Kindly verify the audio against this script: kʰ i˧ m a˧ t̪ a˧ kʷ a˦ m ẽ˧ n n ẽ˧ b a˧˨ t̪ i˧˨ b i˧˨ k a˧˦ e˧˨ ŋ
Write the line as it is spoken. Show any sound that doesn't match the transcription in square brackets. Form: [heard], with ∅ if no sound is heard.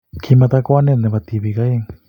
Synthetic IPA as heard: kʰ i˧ m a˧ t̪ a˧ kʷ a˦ [n] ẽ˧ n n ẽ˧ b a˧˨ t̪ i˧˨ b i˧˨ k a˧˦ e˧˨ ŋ